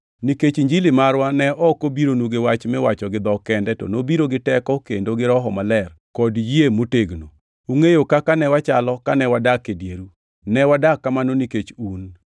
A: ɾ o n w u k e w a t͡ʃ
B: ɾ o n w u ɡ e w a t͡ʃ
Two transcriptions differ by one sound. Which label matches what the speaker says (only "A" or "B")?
B